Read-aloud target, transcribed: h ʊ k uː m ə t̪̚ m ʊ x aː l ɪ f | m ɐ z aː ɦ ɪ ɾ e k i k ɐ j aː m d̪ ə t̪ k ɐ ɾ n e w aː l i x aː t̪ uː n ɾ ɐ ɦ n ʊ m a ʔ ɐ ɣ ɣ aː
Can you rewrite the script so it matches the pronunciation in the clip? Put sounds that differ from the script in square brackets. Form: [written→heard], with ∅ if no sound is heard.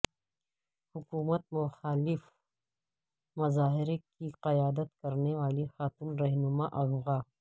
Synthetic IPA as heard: h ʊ k uː m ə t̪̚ m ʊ x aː l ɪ f | m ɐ z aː ɦ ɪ ɾ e k i [k→q] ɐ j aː [m→∅] d̪ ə t̪ k ɐ ɾ n e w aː l i x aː t̪ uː n ɾ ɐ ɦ n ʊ m a ʔ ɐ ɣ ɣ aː

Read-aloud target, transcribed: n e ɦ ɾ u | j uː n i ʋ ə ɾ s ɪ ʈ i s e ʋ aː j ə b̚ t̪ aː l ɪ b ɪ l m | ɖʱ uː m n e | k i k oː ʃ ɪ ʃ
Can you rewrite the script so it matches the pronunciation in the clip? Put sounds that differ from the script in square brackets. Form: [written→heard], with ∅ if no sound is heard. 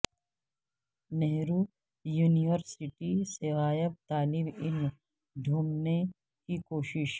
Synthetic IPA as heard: n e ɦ ɾ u | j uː n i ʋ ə ɾ s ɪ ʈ i s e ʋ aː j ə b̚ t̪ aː l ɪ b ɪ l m | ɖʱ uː m n e | k i k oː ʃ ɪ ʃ

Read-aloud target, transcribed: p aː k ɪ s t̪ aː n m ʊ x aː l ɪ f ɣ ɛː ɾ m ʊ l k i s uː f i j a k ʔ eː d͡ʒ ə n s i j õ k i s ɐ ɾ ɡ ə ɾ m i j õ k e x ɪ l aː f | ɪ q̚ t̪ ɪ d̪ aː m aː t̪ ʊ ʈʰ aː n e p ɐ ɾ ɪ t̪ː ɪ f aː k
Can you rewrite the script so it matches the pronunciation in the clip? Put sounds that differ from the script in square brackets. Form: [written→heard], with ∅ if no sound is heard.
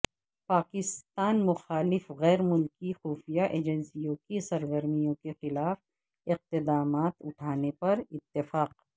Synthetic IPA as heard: p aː k ɪ s t̪ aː n m ʊ x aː l ɪ f ɣ ɛː ɾ m ʊ l k i [s→x] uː f i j a [k→∅] ʔ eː d͡ʒ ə n s i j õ k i s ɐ ɾ ɡ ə ɾ m i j õ k e x ɪ l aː f | ɪ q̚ t̪ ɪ d̪ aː m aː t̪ ʊ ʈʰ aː n e p ɐ ɾ ɪ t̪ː ɪ f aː [k→q]

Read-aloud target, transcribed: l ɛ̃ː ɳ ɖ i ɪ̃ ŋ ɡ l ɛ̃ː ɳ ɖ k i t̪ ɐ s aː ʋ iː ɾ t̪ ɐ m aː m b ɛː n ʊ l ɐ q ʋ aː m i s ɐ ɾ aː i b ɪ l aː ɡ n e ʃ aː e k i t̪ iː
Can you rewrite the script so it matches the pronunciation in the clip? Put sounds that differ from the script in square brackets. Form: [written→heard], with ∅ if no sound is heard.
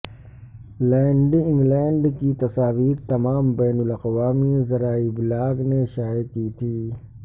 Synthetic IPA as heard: l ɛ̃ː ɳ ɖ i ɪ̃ ŋ ɡ l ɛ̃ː ɳ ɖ k i t̪ ɐ s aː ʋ iː ɾ t̪ ɐ m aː m b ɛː n ʊ l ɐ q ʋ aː m i [s→z] ɐ ɾ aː i b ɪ l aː ɡ n e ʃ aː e k i [t̪→t̪ʰ] iː

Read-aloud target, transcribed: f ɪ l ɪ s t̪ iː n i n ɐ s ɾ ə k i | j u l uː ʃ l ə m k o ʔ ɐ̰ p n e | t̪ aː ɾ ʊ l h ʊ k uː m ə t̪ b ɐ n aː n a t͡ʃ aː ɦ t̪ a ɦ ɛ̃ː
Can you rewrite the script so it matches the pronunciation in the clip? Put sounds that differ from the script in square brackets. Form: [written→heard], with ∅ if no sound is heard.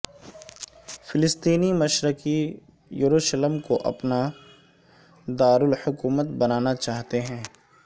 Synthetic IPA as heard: f ɪ l ɪ s t̪ iː n i [n→m] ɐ [s→ʃ] ɾ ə k i | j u [l→ɾ] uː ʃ l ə m k o ʔ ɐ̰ p n [e→a] | [t̪→d̪] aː ɾ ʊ l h ʊ k uː m ə t̪ b ɐ n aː n a t͡ʃ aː ɦ t̪ [a→e] ɦ ɛ̃ː

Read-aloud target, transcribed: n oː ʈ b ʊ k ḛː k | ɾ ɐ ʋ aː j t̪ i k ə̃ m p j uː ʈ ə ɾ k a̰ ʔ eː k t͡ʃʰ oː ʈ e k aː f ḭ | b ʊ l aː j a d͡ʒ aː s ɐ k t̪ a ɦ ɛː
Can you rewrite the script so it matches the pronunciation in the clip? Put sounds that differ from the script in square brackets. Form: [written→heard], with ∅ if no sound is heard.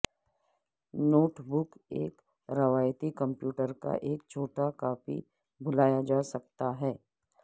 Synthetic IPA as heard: n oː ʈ b ʊ k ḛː k | ɾ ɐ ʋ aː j t̪ i k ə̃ m p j uː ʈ ə ɾ k a̰ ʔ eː k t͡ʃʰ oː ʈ [e→a] k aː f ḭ | b ʊ l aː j a d͡ʒ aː s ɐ k t̪ a ɦ ɛː

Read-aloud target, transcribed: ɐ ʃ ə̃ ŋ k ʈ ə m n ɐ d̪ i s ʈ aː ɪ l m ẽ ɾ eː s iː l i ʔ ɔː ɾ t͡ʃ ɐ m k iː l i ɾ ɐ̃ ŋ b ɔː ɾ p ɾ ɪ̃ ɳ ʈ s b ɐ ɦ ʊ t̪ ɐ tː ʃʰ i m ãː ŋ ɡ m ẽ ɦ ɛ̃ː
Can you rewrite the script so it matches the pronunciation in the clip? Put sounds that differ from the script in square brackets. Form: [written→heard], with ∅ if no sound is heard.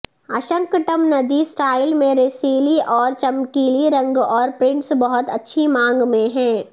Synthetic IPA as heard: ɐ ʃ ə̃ ŋ k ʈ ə m n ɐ d̪ i s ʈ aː ɪ l m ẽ ɾ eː s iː l i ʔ ɔː ɾ t͡ʃ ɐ m k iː l i ɾ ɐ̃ ŋ [b→ɡ] ɔː ɾ p ɾ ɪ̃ ɳ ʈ s b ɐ ɦ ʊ t̪ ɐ tː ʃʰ i m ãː ŋ ɡ m ẽ ɦ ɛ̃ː

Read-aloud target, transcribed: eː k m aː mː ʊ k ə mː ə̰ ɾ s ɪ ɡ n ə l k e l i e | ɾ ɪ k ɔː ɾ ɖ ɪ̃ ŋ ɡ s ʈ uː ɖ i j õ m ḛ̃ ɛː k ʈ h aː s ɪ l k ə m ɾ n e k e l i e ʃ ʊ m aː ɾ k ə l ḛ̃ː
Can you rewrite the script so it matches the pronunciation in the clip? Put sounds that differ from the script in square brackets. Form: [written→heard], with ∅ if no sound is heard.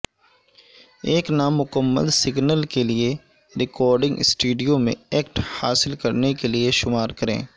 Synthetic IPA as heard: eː k [m→n] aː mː ʊ k ə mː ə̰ [ɾ→l] s ɪ ɡ n ə l k e l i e | ɾ ɪ k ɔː ɾ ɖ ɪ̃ ŋ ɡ s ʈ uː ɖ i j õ m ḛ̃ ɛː k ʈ h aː s ɪ l k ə [m→∅] ɾ n e k e l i e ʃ ʊ m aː ɾ k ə [l→ɾ] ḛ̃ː

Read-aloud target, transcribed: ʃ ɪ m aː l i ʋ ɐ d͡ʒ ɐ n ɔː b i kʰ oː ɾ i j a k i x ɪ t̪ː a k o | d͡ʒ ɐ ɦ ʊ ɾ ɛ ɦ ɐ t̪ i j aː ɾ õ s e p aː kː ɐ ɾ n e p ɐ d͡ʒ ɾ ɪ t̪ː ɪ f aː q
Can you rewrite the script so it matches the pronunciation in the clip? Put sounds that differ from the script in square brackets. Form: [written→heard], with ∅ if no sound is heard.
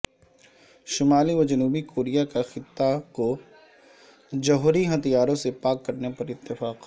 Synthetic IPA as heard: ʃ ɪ m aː l i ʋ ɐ d͡ʒ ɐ n [ɔː→uː] b i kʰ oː ɾ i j a k [i→a] x ɪ t̪ː a k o | d͡ʒ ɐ ɦ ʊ ɾ [ɛ→i] ɦ ɐ t̪ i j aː ɾ õ s e p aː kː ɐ ɾ n e p ɐ [d͡ʒ→∅] ɾ ɪ t̪ː ɪ f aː q

